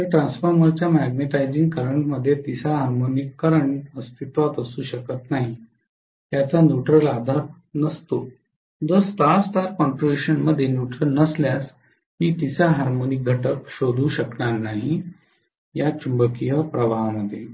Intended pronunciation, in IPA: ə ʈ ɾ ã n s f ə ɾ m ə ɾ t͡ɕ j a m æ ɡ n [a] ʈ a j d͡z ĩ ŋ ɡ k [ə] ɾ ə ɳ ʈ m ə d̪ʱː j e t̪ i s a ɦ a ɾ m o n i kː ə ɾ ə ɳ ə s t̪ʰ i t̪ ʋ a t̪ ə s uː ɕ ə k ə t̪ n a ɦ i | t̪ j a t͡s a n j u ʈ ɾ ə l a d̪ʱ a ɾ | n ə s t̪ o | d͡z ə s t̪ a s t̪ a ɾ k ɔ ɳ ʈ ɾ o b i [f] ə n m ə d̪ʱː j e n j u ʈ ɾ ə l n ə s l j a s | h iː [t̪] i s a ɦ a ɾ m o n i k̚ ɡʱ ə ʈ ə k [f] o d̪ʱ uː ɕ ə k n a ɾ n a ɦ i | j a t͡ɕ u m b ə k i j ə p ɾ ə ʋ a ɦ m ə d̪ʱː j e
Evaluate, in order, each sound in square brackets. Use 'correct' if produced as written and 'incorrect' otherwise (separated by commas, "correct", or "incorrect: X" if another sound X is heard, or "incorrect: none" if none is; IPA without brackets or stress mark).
incorrect: e, correct, incorrect: ɕ, correct, incorrect: ɕ